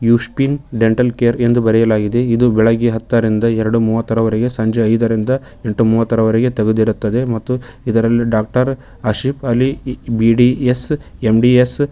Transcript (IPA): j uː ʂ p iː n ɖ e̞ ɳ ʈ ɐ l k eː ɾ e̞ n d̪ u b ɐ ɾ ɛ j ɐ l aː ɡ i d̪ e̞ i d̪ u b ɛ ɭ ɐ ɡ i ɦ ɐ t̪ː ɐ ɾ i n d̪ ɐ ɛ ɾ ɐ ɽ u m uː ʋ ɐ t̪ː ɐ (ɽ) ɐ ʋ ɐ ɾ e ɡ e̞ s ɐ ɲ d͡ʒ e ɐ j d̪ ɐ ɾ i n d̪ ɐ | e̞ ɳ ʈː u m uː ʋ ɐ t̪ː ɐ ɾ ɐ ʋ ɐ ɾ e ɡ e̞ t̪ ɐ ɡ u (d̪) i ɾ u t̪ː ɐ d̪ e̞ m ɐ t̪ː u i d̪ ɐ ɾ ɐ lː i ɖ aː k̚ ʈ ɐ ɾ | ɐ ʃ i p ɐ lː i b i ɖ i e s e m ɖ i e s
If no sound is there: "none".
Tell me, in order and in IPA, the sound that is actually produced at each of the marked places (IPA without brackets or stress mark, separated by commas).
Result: ɾ, d̪